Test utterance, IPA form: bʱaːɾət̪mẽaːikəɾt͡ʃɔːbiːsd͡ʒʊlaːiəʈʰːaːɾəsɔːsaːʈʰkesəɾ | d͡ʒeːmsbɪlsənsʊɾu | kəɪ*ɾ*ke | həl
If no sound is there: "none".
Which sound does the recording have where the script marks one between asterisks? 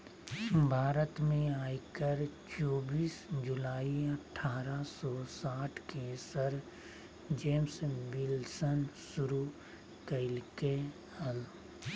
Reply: l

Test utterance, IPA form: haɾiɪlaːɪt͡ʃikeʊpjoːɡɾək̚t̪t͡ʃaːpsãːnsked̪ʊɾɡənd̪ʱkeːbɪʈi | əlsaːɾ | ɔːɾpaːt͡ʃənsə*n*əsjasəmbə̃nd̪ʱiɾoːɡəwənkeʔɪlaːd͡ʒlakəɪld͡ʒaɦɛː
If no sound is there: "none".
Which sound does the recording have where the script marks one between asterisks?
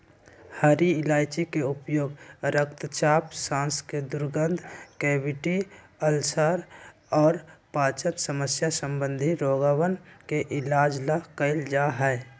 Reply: m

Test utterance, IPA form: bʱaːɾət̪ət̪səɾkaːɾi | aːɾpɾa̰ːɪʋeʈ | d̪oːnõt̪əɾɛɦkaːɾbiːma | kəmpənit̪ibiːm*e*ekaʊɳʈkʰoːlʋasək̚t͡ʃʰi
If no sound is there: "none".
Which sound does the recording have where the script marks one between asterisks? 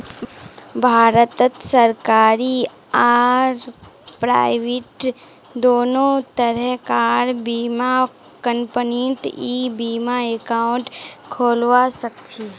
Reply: a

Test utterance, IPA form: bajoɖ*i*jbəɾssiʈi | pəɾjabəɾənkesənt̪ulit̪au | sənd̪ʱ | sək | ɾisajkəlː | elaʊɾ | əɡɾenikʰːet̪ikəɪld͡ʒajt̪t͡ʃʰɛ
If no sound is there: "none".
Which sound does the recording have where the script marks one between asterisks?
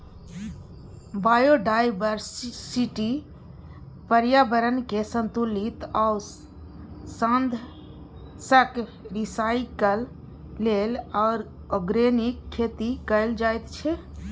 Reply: a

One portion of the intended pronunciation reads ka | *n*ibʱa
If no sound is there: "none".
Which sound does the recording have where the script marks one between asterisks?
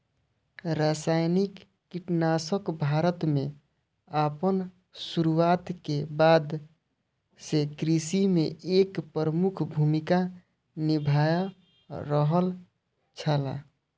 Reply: n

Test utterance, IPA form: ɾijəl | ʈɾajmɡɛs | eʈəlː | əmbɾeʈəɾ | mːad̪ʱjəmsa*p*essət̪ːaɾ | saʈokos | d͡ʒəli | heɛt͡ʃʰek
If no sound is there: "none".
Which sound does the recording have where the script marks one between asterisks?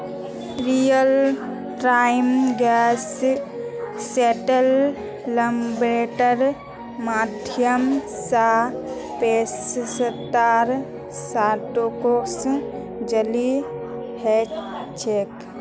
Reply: p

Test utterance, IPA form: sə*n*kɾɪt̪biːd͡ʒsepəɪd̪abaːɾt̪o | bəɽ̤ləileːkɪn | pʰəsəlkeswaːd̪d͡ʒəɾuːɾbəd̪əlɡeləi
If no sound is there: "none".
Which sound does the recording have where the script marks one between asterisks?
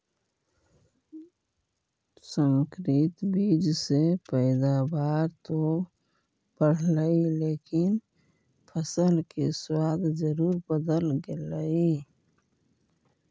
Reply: ŋ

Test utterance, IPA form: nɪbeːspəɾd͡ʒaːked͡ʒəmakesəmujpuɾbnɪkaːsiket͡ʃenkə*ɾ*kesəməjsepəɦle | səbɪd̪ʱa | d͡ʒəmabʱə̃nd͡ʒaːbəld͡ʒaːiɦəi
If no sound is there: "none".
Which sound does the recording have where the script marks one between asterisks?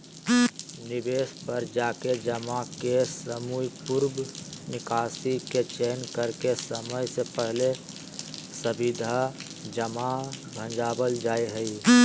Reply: ɾ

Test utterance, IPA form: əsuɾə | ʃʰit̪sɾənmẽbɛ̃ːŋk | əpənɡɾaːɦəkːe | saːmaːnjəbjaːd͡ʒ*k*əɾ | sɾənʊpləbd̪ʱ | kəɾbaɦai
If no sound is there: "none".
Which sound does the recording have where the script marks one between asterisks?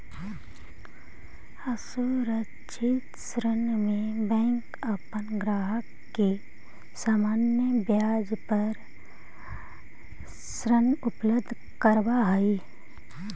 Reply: p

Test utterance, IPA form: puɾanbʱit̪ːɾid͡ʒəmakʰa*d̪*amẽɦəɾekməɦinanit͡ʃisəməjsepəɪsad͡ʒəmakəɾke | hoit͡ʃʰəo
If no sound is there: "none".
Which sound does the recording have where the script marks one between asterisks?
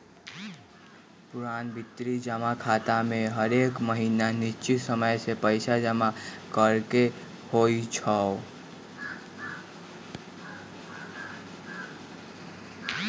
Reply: t̪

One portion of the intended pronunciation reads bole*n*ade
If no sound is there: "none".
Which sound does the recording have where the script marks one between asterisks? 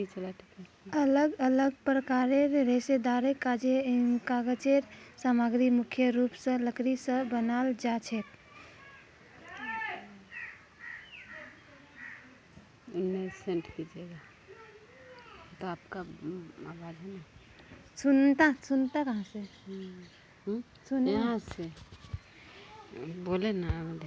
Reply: n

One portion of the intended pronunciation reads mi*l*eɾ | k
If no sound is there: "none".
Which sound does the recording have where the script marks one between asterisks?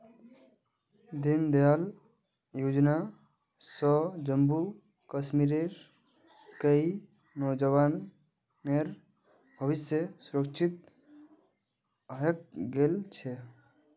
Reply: ɾ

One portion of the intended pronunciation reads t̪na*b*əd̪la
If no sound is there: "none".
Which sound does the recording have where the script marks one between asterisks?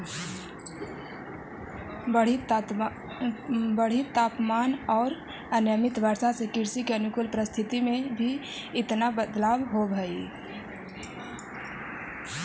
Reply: b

